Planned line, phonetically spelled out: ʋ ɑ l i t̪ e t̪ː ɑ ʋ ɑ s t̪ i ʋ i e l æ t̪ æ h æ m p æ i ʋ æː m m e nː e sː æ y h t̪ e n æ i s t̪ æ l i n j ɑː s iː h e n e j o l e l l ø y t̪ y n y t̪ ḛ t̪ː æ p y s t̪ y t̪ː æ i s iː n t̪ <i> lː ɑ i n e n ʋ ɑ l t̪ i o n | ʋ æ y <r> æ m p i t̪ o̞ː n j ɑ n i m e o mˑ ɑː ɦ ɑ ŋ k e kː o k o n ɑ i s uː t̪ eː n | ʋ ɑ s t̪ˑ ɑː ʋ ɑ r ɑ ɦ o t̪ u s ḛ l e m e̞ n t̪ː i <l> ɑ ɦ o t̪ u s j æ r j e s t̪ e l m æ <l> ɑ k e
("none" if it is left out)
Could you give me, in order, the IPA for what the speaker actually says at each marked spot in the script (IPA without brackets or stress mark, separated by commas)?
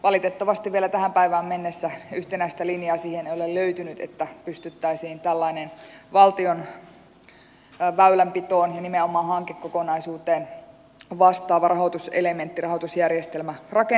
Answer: æ, l, r, r